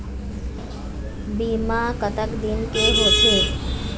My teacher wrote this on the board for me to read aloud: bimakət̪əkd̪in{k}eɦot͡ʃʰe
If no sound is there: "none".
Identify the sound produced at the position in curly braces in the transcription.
k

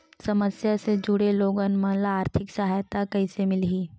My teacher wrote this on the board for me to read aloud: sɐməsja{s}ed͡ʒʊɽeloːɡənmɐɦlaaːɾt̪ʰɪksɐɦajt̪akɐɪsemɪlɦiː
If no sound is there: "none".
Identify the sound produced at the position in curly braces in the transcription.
s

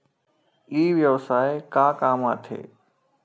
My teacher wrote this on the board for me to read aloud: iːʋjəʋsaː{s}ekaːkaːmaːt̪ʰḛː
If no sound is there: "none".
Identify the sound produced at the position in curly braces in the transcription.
none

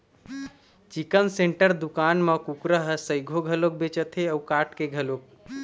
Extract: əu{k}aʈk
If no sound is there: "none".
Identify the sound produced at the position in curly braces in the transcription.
k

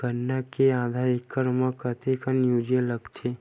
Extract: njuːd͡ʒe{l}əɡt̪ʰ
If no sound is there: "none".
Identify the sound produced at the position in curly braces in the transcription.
l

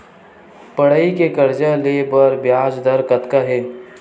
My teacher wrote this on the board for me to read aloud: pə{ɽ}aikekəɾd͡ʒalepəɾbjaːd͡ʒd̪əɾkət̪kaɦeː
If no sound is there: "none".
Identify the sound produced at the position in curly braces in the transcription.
ɽ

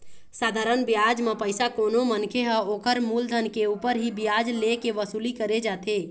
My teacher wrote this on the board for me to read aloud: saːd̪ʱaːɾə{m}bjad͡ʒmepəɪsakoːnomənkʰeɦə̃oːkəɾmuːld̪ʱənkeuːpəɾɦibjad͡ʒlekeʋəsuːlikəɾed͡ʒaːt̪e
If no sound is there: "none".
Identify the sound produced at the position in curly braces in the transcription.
n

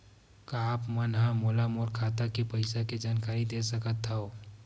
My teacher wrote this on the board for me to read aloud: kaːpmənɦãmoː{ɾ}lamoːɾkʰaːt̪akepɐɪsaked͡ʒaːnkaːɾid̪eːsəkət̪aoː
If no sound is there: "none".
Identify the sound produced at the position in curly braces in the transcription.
none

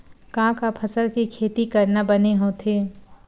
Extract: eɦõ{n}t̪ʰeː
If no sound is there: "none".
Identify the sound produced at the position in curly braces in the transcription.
none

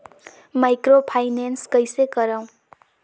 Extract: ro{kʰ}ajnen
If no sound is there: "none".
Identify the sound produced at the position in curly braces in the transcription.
pʰ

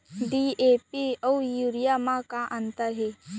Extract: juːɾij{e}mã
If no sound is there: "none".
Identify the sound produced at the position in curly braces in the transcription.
a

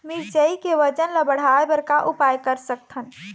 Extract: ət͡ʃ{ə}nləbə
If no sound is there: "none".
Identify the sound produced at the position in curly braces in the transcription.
ə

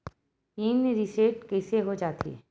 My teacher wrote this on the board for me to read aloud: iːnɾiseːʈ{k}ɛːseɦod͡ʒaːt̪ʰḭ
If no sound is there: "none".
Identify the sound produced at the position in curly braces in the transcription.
k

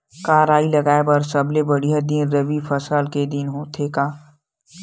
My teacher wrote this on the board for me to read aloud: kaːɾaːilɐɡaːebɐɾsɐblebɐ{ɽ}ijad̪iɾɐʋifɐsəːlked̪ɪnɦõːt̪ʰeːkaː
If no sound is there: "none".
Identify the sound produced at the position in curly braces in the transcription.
ɽ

